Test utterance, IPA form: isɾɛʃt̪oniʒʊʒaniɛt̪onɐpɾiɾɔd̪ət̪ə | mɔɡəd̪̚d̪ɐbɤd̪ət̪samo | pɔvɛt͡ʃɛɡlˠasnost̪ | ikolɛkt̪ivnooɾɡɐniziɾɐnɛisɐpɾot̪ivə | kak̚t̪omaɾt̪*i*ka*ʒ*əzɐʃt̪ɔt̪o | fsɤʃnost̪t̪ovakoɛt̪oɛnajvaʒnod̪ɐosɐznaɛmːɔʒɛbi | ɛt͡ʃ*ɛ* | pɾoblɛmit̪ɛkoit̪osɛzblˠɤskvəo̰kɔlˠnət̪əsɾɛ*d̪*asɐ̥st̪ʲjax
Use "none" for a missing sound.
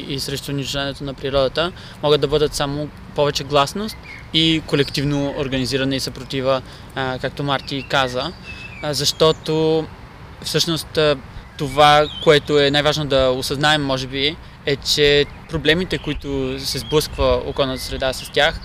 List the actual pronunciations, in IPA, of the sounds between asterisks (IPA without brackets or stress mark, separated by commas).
i, z, ɛ, d̪